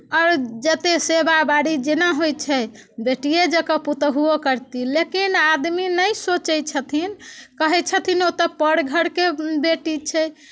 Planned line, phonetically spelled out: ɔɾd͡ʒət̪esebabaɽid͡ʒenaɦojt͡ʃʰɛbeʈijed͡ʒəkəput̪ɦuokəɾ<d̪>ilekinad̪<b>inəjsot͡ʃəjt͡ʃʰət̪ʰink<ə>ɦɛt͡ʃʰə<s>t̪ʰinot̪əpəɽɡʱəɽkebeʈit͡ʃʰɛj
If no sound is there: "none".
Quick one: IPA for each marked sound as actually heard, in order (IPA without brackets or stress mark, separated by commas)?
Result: t̪, m, ə, none